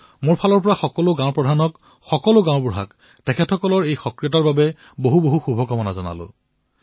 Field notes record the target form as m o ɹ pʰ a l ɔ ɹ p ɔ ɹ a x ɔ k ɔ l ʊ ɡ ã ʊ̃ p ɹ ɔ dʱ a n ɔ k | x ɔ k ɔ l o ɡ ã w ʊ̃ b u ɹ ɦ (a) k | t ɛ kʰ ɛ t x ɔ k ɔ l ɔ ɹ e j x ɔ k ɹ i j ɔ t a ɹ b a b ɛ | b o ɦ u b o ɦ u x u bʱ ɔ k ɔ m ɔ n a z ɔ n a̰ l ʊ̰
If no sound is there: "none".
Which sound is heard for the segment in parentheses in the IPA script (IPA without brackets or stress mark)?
a